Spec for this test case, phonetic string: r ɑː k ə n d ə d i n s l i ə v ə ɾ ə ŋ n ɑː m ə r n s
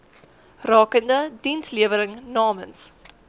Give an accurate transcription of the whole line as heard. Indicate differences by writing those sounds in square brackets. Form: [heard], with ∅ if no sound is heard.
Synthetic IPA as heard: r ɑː k ə n d ə d i n s l i ə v ə ɾ ə ŋ n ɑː m ə [∅] n s